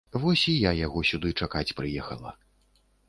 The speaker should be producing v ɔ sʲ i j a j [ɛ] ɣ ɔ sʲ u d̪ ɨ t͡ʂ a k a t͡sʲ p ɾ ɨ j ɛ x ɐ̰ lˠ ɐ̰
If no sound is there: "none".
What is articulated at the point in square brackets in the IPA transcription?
a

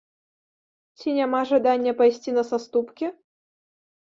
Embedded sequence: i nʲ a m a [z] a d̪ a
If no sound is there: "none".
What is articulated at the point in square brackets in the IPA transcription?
ʐ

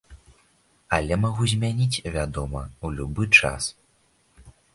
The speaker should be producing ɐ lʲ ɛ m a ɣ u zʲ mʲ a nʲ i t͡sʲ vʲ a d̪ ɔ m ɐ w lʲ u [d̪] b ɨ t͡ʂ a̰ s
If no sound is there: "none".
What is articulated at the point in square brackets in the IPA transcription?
none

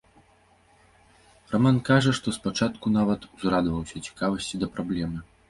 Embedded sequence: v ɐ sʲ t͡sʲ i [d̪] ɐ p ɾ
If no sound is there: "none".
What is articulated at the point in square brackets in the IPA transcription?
d̪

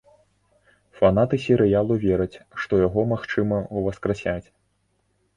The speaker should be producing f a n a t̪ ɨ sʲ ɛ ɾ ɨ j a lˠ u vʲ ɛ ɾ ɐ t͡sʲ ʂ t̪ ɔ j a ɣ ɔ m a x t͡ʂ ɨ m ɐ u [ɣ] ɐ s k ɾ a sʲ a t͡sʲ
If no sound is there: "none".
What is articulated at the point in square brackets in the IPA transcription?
v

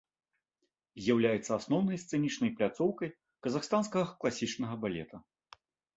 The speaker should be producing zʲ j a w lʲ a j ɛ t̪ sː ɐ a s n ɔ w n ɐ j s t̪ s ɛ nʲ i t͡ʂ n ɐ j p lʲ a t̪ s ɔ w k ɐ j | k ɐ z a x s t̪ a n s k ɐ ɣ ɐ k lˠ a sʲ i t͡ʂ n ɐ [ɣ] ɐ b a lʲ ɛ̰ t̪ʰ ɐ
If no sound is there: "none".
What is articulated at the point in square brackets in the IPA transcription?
ɣ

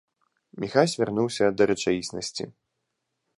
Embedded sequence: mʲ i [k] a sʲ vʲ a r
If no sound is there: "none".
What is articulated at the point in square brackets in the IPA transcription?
x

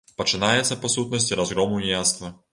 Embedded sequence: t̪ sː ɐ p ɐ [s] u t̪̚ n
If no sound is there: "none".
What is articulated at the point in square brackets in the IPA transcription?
s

